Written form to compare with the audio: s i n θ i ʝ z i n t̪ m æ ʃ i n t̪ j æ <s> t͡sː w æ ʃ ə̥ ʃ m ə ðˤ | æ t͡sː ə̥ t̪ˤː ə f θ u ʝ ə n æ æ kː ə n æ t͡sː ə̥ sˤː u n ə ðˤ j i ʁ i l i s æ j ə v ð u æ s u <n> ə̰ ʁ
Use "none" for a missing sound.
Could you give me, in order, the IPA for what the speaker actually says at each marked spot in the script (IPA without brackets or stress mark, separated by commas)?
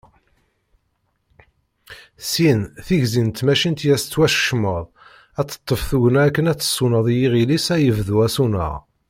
s, n